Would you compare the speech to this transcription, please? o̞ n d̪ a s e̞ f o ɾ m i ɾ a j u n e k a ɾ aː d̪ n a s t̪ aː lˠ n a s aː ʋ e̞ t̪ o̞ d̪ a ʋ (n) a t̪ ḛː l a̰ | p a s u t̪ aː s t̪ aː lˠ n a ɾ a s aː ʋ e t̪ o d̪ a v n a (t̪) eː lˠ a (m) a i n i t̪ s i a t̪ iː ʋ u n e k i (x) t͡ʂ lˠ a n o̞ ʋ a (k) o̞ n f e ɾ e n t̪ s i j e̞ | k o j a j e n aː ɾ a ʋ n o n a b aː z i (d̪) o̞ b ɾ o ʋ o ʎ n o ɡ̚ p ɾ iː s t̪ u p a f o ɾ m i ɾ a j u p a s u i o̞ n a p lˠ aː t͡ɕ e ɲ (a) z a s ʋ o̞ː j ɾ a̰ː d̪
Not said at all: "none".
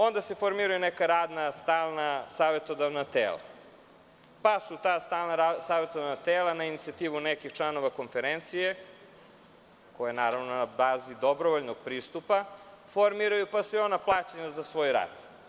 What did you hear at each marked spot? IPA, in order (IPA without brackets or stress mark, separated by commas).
n, t̪, n, x, k, d̪, a